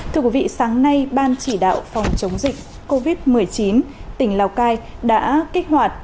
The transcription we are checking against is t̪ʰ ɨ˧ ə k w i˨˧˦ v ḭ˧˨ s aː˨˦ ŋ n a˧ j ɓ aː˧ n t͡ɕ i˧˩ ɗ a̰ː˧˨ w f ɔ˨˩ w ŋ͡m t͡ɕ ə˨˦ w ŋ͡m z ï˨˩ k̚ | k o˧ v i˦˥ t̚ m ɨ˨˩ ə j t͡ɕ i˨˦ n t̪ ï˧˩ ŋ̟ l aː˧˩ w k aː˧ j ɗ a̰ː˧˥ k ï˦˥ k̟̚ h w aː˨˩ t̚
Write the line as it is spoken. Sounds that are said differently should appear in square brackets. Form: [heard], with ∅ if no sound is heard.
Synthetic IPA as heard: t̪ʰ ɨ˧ ə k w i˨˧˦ v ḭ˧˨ s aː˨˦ ŋ n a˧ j ɓ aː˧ n t͡ɕ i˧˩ ɗ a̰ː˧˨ w f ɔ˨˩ w ŋ͡m t͡ɕ ə˨˦ w ŋ͡m z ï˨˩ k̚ | k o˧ v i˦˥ t̚ m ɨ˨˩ ə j t͡ɕ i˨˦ n t̪ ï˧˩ ŋ̟ l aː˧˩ w k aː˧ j ɗ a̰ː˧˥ k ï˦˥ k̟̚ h w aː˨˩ t̚